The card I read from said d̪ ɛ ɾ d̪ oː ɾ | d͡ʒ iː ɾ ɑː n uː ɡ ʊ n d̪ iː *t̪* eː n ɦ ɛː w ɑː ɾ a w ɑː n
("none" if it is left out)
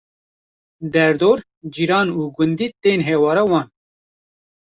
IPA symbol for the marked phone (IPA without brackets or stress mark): t̪